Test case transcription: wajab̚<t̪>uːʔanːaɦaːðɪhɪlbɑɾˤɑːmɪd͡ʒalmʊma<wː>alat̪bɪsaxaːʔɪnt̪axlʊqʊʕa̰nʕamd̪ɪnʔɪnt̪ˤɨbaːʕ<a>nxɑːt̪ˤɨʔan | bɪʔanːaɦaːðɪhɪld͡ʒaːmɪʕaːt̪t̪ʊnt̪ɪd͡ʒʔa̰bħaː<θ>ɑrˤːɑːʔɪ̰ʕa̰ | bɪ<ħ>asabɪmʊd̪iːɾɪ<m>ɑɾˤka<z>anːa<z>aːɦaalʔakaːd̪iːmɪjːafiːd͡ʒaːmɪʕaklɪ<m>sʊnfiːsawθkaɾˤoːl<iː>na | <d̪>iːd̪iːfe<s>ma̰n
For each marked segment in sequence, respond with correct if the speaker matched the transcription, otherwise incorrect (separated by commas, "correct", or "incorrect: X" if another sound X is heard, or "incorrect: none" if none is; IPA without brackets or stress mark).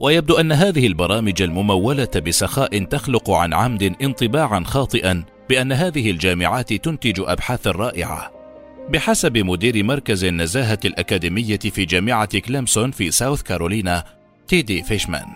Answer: incorrect: d̪, correct, correct, correct, correct, correct, correct, correct, correct, correct, incorrect: t̪, incorrect: ʃ